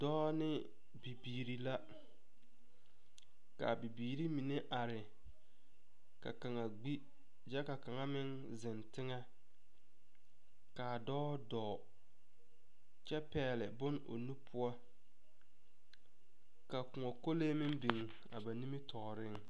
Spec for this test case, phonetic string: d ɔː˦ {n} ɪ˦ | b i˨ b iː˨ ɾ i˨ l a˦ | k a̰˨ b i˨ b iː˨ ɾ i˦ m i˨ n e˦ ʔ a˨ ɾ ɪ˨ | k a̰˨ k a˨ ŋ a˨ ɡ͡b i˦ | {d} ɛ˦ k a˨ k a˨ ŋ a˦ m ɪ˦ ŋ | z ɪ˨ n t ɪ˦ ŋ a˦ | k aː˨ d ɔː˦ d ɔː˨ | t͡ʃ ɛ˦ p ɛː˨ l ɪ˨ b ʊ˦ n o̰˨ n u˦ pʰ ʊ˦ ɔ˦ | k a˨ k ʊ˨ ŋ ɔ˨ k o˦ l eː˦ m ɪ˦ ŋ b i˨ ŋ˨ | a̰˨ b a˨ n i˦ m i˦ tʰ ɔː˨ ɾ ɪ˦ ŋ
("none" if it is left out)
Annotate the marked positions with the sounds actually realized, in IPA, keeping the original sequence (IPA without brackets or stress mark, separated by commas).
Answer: n, d͡ʒ